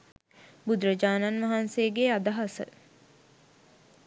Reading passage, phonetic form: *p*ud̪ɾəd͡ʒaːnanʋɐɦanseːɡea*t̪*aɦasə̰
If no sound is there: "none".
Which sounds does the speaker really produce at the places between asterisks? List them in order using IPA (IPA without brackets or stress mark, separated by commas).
b, d̪